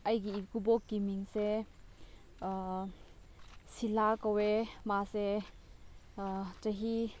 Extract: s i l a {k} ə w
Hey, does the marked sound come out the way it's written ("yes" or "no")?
yes